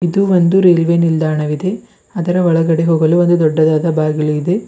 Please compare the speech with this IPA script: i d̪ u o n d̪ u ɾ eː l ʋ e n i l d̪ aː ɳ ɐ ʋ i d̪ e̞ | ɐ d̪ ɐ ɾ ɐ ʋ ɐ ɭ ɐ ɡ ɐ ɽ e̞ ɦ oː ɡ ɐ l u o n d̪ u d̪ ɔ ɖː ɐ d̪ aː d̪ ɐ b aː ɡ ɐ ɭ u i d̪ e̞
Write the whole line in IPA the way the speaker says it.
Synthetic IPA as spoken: i d̪ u o n d̪ u ɾ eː l ʋ e n i l d̪ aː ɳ ɐ ʋ i d̪ e̞ | ɐ d̪ ɐ ɾ ɐ ʋ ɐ ɭ ɐ ɡ ɐ ɽ e̞ ɦ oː ɡ ɐ l u o n d̪ u d̪ ɔ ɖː ɐ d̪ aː d̪ ɐ b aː ɡ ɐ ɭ u i d̪ e̞